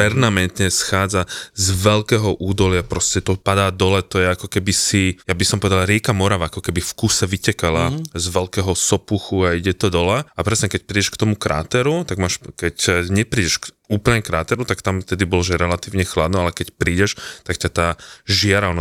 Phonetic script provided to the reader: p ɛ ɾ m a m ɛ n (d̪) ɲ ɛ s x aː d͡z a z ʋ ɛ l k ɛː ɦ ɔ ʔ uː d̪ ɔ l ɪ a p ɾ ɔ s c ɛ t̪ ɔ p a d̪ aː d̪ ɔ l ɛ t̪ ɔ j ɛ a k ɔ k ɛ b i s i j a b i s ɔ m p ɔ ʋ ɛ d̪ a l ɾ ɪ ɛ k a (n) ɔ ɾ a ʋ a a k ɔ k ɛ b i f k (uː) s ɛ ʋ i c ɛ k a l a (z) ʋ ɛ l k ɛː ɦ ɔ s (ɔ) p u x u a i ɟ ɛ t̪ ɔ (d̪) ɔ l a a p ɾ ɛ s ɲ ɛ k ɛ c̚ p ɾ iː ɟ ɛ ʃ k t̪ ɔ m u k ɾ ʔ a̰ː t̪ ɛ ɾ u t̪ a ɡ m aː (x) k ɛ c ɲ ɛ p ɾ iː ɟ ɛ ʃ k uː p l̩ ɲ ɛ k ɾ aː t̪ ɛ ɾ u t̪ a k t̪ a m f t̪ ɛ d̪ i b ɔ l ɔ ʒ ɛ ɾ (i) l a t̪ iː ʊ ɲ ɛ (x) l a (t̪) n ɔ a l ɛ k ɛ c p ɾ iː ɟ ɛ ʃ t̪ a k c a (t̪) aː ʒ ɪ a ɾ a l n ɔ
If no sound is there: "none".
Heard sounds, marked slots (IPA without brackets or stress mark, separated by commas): t̪, m, u, z, ɔ, d̪, ʃ, ɛ, x, d̪, t̪